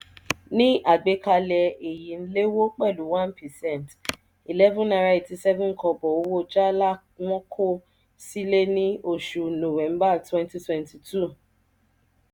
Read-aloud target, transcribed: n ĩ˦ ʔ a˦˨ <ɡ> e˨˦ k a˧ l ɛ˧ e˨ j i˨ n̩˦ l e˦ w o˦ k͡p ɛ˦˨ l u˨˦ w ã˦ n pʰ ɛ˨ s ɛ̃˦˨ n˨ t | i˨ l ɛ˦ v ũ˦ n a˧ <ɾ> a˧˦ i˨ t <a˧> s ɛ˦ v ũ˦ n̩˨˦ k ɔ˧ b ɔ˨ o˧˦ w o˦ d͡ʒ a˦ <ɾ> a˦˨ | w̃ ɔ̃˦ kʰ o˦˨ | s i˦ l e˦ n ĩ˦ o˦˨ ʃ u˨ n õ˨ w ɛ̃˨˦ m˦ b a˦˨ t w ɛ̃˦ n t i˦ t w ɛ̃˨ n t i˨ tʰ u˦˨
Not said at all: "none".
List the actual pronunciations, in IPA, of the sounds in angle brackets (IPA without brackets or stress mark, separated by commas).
ɡ͡b, ɾ, i˧, l